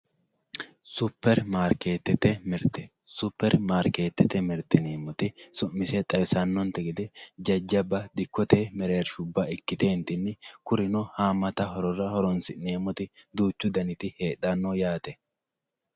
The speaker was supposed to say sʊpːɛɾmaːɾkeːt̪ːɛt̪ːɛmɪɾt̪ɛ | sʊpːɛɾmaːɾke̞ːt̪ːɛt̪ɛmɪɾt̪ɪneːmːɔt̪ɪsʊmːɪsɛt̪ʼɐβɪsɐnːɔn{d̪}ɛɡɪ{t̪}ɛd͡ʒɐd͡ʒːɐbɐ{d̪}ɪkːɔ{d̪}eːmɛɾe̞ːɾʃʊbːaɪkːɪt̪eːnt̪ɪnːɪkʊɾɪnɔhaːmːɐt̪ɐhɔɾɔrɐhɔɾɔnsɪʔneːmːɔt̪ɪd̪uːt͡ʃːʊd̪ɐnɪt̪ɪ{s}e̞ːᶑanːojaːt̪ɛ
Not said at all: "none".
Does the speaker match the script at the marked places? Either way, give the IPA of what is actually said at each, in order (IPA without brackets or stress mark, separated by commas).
t̪, d̪, d̪, t̪, h